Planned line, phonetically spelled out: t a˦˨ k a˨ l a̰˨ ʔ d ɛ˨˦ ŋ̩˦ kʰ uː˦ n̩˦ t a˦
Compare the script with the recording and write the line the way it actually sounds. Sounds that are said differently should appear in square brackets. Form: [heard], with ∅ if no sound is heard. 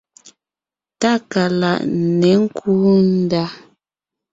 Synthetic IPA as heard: t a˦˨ k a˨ l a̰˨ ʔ [n] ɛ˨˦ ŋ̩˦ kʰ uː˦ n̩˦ [d] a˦

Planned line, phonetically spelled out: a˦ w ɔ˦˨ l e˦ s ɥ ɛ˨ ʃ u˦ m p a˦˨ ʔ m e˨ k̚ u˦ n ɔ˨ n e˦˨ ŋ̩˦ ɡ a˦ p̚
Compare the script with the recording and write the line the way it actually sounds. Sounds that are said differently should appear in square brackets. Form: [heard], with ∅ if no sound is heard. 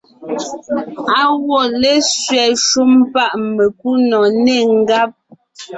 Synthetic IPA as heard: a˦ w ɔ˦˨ l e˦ s ɥ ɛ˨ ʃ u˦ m p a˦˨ ʔ m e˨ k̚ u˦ n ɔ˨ n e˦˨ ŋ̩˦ ɡ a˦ p̚

